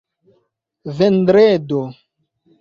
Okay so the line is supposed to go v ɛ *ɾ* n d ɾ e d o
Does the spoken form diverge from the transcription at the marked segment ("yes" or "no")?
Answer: yes